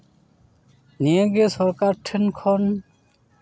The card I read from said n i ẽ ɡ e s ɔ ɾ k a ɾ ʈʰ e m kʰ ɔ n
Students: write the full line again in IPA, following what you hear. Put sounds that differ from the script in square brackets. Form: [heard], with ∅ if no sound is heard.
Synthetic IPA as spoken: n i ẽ ɡ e s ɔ ɾ k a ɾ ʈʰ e [n] kʰ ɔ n